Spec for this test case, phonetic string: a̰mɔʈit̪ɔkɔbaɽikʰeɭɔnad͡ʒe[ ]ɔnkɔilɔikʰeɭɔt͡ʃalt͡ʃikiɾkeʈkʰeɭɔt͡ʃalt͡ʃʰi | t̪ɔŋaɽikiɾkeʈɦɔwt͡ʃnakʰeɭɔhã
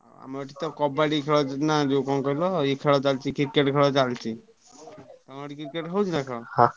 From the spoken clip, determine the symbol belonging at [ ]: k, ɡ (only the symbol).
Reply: k